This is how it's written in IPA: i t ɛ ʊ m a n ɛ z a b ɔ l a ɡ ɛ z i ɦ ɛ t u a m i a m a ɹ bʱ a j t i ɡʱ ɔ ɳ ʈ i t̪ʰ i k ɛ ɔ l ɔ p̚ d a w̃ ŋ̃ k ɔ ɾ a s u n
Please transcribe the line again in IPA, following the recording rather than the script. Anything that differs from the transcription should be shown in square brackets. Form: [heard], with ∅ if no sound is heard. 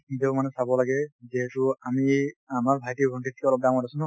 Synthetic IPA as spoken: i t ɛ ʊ m a n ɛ [s] a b ɔ l a ɡ ɛ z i ɦ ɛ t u a m i a m a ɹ bʱ a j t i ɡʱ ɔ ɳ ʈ i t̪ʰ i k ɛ ɔ l ɔ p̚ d a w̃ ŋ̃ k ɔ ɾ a s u n